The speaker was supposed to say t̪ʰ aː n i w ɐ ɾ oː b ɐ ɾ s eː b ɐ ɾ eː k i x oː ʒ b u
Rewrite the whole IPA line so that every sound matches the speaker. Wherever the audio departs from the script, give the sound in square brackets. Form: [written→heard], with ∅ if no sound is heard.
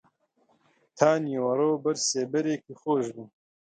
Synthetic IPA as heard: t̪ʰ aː n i w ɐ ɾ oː b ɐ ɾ s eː b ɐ ɾ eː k i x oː ʒ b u